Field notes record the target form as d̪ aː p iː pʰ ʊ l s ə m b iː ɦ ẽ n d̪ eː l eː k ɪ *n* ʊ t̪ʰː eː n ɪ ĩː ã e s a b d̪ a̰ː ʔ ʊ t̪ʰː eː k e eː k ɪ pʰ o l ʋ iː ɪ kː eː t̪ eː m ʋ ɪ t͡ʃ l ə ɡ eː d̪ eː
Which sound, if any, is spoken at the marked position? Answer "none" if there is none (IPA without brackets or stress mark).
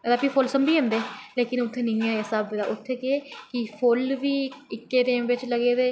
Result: n